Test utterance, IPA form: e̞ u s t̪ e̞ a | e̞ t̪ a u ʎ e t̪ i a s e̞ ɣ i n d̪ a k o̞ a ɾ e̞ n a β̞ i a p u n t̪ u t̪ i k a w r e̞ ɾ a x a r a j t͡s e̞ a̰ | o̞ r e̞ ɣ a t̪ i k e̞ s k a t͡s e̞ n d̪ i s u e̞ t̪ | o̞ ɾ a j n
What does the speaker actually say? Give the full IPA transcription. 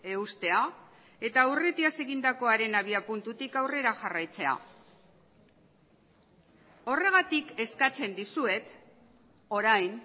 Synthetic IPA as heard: e̞ u s t̪ e̞ a | e̞ t̪ a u r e t̪ i a s e̞ ɣ i n d̪ a k o̞ a ɾ e̞ n a β̞ i a p u n t̪ u t̪ i k a w r e̞ ɾ a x a r a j t͡s e̞ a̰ | o̞ r e̞ ɣ a t̪ i k e̞ s k a t͡s e̞ n d̪ i s u e̞ t̪ | o̞ ɾ a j n